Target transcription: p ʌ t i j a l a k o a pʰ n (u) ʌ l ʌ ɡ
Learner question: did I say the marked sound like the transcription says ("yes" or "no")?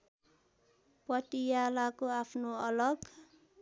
no